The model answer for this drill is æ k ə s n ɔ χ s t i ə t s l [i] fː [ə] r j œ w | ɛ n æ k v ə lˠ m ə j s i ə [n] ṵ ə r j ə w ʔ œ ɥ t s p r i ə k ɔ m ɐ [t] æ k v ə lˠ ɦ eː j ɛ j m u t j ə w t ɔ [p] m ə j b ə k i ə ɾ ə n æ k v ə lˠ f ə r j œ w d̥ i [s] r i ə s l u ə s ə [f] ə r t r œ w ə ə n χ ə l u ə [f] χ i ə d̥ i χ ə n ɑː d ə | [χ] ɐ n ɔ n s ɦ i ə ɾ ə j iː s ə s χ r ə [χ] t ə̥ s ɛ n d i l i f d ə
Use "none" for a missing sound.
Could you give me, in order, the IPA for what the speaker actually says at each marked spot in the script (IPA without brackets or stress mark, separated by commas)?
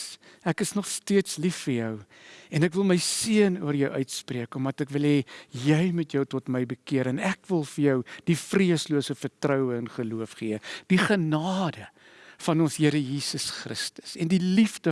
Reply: i, ə, n, t, t, f, f, f, f, s